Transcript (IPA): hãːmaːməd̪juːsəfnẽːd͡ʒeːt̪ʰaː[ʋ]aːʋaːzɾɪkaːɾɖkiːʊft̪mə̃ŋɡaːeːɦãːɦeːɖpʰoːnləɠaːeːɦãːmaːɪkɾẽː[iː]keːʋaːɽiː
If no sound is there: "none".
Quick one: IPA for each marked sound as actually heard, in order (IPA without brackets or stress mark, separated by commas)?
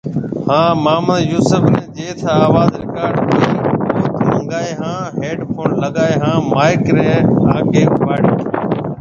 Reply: none, aː